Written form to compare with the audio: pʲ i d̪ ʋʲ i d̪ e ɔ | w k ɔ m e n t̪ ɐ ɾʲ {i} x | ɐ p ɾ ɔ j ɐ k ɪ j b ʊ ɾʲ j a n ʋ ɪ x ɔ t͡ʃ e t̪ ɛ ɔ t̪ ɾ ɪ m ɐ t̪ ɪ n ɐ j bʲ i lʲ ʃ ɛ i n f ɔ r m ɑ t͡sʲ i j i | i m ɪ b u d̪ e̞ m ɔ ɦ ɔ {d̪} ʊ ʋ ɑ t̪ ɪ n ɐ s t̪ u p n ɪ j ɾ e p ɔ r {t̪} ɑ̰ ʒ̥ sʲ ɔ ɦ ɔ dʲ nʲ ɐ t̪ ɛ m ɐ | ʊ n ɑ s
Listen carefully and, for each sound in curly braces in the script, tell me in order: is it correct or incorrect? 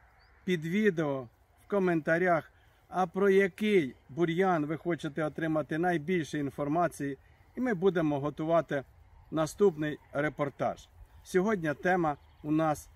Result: incorrect: a, incorrect: t̪, correct

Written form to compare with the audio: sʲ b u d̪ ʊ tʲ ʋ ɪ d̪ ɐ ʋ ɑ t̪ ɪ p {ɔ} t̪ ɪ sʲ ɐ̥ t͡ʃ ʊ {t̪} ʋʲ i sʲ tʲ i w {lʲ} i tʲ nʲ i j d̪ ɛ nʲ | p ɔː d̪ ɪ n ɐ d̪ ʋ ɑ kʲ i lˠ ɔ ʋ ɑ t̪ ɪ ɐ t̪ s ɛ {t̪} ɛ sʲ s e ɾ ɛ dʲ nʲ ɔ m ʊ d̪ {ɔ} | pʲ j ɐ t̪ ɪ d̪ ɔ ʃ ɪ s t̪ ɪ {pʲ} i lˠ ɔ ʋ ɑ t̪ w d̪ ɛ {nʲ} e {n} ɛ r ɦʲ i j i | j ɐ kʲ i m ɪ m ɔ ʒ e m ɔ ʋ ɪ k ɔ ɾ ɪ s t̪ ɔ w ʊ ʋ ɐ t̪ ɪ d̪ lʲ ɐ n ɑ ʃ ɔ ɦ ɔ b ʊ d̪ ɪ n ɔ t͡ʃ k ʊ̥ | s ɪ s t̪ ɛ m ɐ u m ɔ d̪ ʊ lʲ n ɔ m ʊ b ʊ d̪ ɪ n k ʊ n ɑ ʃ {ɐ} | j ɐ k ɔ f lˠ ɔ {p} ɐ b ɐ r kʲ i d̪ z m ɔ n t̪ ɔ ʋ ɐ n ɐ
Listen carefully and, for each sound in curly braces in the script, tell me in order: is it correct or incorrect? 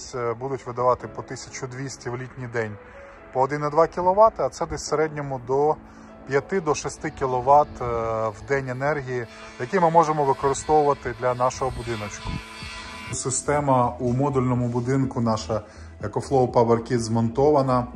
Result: correct, incorrect: d̪, correct, incorrect: d̪, correct, incorrect: kʲ, correct, correct, correct, correct

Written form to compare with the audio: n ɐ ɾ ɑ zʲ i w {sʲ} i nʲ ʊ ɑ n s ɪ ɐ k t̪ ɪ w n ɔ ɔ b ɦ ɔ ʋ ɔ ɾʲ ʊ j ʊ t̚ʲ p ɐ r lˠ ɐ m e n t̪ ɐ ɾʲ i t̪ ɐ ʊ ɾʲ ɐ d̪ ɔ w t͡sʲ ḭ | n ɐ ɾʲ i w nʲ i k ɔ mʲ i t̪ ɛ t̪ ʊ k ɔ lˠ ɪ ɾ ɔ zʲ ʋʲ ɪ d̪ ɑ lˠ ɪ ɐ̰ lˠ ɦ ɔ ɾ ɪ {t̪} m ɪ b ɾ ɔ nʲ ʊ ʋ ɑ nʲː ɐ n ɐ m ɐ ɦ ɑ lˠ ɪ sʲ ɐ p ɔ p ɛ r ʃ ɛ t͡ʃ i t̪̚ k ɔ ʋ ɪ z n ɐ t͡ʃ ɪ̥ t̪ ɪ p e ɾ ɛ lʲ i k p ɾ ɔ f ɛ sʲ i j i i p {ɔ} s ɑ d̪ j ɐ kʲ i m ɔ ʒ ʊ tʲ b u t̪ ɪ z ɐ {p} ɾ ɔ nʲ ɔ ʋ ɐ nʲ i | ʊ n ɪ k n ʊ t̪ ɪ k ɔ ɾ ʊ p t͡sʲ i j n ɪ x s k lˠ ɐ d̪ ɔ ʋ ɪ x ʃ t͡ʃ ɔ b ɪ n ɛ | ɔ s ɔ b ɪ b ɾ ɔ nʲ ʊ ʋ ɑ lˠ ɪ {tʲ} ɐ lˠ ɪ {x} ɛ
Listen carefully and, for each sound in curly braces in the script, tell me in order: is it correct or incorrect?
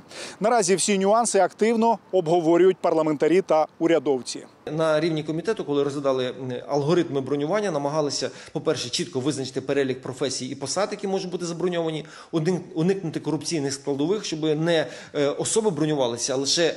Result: correct, correct, correct, incorrect: b, incorrect: sʲ, incorrect: ʃ

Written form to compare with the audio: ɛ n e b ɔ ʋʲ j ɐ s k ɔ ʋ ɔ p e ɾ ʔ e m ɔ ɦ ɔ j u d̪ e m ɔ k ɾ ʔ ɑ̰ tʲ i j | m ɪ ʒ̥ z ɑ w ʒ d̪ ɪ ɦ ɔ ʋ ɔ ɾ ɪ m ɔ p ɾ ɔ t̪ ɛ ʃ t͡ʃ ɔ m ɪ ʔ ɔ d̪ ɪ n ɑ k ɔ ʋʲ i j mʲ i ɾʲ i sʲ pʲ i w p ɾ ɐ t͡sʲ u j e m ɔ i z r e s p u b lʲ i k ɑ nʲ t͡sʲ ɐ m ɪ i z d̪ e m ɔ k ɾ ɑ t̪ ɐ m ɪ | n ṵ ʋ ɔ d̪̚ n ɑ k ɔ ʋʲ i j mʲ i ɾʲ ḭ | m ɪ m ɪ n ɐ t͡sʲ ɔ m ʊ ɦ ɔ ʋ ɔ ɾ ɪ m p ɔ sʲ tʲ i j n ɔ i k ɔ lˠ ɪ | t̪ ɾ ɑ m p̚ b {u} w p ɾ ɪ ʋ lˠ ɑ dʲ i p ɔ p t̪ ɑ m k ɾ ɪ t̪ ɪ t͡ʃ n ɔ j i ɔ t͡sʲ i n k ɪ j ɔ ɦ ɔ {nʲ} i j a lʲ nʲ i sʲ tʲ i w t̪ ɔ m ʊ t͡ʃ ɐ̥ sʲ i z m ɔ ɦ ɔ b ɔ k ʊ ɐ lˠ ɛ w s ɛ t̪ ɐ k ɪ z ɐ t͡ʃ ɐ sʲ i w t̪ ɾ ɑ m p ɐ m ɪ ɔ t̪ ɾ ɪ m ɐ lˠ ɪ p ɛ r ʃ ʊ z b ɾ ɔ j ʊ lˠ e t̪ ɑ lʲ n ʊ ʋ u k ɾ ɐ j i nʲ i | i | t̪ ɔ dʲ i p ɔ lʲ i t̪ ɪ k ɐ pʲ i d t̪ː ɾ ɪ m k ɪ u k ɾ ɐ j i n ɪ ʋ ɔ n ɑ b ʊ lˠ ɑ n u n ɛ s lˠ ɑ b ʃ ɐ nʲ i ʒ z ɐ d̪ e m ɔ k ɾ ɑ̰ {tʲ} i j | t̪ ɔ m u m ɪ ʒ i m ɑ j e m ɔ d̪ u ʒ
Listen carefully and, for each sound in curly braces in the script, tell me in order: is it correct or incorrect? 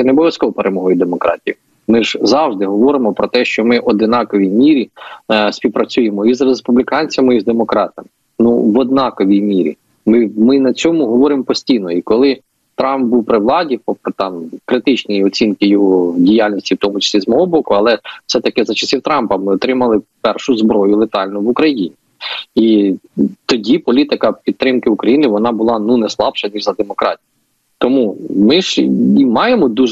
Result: correct, incorrect: dʲ, correct

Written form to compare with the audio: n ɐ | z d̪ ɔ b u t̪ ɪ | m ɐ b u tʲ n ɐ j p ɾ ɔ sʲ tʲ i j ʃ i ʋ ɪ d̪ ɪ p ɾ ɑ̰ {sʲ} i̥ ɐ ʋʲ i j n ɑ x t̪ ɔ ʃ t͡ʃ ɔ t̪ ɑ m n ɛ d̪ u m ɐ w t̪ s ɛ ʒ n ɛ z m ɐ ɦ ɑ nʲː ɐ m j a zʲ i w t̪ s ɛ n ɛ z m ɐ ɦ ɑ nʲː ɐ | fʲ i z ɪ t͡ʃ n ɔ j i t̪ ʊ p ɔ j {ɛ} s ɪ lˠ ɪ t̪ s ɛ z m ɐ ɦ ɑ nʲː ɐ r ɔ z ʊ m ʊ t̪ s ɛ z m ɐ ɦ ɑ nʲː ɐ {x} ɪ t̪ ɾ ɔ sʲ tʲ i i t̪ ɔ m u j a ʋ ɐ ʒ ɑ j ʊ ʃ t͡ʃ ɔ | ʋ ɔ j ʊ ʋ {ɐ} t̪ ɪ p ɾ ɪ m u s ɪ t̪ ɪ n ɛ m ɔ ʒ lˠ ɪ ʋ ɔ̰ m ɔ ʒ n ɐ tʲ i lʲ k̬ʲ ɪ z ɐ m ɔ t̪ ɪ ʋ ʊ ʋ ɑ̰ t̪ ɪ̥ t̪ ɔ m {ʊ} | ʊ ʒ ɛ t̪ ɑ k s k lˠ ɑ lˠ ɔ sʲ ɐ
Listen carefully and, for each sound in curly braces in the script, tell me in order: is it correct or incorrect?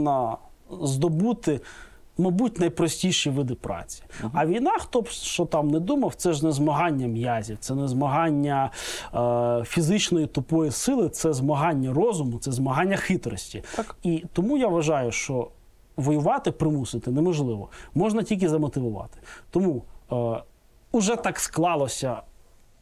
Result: incorrect: t͡sʲ, incorrect: i, correct, incorrect: ɑ, incorrect: u

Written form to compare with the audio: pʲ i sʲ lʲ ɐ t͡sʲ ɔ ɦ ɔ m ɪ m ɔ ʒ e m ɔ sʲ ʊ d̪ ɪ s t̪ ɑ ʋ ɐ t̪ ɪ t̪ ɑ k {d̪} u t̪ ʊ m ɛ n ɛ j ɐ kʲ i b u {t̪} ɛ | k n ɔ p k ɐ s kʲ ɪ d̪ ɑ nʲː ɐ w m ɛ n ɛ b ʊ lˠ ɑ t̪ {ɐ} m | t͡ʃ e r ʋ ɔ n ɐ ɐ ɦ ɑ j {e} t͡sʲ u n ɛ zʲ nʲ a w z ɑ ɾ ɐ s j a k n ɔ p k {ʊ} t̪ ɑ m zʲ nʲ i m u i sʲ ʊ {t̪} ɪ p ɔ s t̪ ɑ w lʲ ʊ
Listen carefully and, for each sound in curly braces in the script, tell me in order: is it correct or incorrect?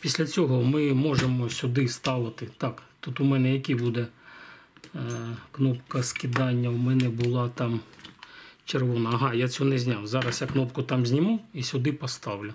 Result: incorrect: t̪, incorrect: d̪, incorrect: ɑ, incorrect: a, correct, incorrect: d̪

